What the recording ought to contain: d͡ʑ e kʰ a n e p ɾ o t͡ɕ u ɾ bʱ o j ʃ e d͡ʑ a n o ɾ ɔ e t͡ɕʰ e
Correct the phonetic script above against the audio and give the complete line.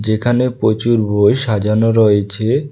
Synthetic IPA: d͡ʑ e kʰ a n e p ɾ o t͡ɕ u ɾ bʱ o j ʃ a d͡ʑ a n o ɾ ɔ e t͡ɕʰ e